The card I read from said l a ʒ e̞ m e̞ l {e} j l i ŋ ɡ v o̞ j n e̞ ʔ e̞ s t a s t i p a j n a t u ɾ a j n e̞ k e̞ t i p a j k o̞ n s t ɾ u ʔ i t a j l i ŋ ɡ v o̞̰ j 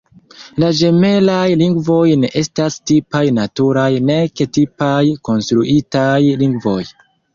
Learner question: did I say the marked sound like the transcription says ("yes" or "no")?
no